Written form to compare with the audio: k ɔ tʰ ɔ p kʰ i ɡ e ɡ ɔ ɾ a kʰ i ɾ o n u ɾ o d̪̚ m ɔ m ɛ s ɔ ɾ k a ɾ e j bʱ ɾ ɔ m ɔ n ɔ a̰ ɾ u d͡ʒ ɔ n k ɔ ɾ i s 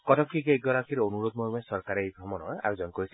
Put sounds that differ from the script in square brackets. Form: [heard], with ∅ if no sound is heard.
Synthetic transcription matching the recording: k ɔ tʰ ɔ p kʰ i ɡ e ɡ ɔ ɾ a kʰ i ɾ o n u ɾ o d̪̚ m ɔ m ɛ s ɔ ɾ k a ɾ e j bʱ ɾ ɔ m ɔ n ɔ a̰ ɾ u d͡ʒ ɔ n k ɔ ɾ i s